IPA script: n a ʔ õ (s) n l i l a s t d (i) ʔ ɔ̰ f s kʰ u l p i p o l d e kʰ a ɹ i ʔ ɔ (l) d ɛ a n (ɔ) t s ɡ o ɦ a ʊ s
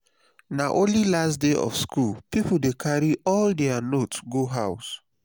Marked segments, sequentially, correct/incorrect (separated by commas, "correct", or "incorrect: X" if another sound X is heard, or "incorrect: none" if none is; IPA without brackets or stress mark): incorrect: none, incorrect: e, correct, incorrect: o